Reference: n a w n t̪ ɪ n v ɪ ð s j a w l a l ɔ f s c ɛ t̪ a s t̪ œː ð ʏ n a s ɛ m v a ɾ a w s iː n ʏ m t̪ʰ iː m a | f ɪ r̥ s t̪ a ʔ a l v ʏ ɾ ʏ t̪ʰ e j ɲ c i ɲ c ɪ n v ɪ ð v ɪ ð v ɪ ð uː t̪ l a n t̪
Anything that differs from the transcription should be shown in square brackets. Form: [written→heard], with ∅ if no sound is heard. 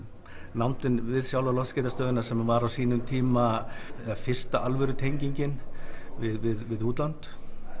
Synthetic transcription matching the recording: n a w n t̪ ɪ n v ɪ ð s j a w l a l ɔ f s c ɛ t̪ a s t̪ œː ð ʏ n a s ɛ m v a ɾ a w s iː n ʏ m t̪ʰ iː m a | f ɪ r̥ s t̪ a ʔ a l v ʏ ɾ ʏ t̪ʰ e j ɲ c i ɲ c ɪ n v ɪ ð v ɪ ð v ɪ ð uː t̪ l a n t̪